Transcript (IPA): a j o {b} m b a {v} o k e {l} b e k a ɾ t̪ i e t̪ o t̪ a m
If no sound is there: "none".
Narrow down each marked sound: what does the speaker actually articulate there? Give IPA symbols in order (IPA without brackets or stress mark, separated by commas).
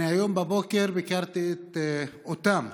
none, b, ɾ